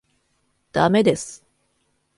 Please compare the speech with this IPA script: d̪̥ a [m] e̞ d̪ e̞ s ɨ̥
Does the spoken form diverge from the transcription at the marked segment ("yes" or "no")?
no